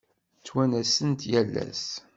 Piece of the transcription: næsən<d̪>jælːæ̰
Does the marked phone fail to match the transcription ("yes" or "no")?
yes